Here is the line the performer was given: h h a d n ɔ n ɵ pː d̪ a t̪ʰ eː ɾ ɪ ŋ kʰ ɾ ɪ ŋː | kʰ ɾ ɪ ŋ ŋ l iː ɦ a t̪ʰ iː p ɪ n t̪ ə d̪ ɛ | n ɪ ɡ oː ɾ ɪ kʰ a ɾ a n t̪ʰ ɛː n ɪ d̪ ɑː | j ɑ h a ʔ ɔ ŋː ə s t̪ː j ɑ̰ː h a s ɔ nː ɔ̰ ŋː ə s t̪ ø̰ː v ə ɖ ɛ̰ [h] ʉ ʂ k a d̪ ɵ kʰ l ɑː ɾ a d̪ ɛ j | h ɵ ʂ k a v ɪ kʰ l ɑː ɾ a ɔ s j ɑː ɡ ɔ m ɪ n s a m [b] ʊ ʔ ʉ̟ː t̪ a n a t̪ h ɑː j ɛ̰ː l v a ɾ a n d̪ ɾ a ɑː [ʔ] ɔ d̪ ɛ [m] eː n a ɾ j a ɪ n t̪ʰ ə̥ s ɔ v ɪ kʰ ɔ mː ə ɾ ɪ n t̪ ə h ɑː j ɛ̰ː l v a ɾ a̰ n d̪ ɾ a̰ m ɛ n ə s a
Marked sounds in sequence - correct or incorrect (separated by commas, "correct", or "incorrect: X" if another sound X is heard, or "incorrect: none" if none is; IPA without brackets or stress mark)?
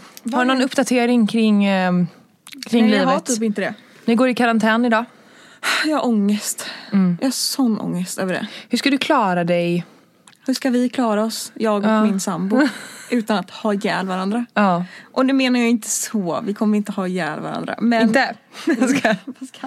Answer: correct, correct, correct, correct